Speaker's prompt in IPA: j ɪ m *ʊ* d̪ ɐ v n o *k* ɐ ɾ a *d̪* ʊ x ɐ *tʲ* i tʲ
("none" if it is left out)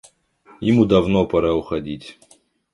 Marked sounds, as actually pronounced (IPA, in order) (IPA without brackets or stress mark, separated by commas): u, p, none, dʲ